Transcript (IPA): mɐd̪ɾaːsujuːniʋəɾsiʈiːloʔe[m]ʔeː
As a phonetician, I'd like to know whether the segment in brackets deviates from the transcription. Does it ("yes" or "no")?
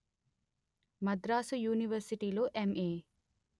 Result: no